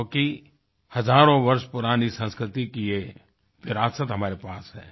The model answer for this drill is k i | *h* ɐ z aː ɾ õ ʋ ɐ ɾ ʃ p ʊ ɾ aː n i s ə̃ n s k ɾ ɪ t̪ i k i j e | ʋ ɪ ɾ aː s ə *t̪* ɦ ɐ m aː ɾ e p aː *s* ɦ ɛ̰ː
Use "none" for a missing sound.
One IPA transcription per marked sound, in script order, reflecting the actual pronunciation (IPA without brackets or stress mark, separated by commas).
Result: h, t̪, s